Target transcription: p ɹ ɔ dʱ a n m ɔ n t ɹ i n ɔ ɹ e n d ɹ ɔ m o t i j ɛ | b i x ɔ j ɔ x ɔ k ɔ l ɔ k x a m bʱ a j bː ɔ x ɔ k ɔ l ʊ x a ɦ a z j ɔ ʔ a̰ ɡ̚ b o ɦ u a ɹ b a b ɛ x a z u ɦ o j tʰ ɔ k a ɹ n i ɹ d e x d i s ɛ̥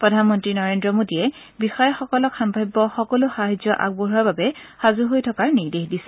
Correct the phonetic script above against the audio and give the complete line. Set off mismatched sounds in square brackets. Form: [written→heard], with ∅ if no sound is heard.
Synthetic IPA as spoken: p ɹ ɔ dʱ a n m ɔ n t ɹ i n ɔ ɹ e n d ɹ ɔ m o [t→d] i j ɛ | b i x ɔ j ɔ x ɔ k ɔ l ɔ k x a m bʱ a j bː ɔ x ɔ k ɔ l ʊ x a ɦ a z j ɔ ʔ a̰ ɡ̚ b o ɦ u a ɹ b a b ɛ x a z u ɦ o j tʰ ɔ k a ɹ n i ɹ d e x d i s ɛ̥

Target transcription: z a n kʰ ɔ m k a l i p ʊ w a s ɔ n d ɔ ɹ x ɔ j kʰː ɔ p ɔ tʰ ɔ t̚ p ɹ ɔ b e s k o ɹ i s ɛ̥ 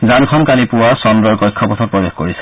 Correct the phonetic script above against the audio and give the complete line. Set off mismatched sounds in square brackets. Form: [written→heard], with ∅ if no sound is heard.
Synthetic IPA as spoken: z a n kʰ ɔ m k a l i p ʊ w a s ɔ n d ɔ ɹ [x→k] ɔ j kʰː ɔ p ɔ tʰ ɔ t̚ p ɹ ɔ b e [s→x] k o ɹ i s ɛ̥

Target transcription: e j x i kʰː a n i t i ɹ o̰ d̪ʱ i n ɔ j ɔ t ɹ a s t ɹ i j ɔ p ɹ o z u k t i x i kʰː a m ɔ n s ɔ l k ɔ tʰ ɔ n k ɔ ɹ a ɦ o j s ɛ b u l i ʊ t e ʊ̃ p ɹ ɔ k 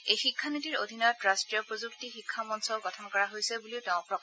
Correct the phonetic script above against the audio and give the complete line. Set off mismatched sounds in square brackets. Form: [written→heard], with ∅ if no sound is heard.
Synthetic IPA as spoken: e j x i kʰː a n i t i ɹ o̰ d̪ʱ i n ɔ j ɔ t ɹ a s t ɹ i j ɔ p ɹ o z u k t i x i kʰː a m ɔ n s ɔ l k ɔ tʰ ɔ n k ɔ ɹ a ɦ o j s ɛ b u l i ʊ t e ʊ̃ p ɹ ɔ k

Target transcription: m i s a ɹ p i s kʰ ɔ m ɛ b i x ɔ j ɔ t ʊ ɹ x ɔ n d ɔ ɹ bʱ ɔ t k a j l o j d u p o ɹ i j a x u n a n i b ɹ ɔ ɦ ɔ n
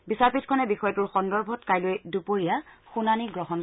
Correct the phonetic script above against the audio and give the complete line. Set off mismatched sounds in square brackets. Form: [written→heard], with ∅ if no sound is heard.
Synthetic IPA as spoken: [m→b] i s a ɹ p i [s→t] kʰ ɔ [m→n] ɛ b i x ɔ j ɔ t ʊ ɹ x ɔ n d ɔ ɹ bʱ ɔ t k a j l o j d u p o ɹ i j a x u n a n i [b→ɡ] ɹ ɔ ɦ ɔ n

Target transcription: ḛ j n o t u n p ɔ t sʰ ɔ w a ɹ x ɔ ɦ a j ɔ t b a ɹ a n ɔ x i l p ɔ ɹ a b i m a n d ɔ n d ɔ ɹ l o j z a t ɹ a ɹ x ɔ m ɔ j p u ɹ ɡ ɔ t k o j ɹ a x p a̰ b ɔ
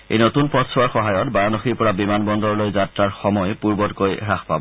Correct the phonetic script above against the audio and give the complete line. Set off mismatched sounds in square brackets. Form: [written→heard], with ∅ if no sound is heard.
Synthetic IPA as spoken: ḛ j n o t u n p ɔ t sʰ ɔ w a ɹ x ɔ ɦ a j ɔ t b a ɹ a n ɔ x i [l→ɹ] p ɔ ɹ a b i m a n [d→b] ɔ n d ɔ ɹ l o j z a t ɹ a ɹ x ɔ m ɔ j p u ɹ [ɡ→b] ɔ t k o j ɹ a x p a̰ b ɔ

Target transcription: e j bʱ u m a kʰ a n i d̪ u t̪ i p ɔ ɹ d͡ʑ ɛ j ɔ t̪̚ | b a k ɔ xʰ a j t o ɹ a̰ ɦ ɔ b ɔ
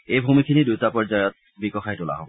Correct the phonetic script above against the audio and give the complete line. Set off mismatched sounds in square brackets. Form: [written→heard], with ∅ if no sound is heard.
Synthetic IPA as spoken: e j bʱ u m [a→i] kʰ [a→i] n i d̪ u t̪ [i→a] p ɔ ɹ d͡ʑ [ɛ→a] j ɔ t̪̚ | b [a→i] k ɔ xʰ a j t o [ɹ→l] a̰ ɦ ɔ b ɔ

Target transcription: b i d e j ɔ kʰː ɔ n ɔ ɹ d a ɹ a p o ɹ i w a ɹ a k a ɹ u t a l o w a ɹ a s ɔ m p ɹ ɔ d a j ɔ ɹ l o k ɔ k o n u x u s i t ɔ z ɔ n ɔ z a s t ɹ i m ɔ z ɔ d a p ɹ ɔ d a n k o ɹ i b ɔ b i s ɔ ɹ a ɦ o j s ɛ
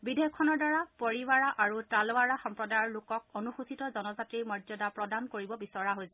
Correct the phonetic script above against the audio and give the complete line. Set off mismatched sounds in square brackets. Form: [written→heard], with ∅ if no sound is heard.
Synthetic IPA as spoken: b i d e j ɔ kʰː ɔ n ɔ ɹ d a ɹ a p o ɹ i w a ɹ a [k→ʔ] a ɹ u t a l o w a ɹ a [s→x] ɔ m p ɹ ɔ d a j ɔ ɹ l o k ɔ k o n u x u s i t ɔ z ɔ n ɔ z a [s→∅] t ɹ i m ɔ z ɔ d a p ɹ ɔ d a n k o ɹ i b ɔ b i s ɔ ɹ a ɦ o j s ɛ

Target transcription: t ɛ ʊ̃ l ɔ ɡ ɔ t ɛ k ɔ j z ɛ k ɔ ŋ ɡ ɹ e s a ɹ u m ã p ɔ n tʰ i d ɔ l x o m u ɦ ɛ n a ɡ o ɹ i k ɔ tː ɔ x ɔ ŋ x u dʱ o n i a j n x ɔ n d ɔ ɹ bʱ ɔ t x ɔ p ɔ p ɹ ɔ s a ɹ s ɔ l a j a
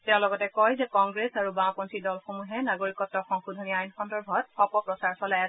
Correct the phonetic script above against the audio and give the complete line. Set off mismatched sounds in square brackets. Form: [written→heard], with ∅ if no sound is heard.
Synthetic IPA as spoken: t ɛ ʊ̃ l ɔ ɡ ɔ t ɛ k ɔ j z ɛ k ɔ ŋ ɡ ɹ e s a ɹ u [m→b] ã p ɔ n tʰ i d ɔ l x o m u ɦ ɛ n a ɡ o ɹ i k ɔ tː ɔ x ɔ ŋ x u dʱ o n i a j n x ɔ n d ɔ ɹ bʱ ɔ t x ɔ p ɔ p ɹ ɔ s a ɹ s ɔ l a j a

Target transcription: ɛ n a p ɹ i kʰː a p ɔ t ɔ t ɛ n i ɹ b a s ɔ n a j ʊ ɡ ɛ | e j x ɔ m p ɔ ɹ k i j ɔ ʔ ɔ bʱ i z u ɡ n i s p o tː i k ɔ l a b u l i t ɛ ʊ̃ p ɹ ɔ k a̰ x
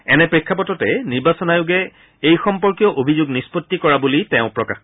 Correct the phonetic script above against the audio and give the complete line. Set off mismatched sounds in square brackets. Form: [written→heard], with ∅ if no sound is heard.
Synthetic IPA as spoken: ɛ n [a→ɛ] p ɹ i kʰː a p ɔ t ɔ t ɛ n i ɹ b a s ɔ n a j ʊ ɡ ɛ | e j x ɔ m p ɔ ɹ k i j ɔ ʔ [ɔ→o] bʱ i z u ɡ n i s p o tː i k ɔ [l→ɹ] a b u l i t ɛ ʊ̃ p ɹ ɔ k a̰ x

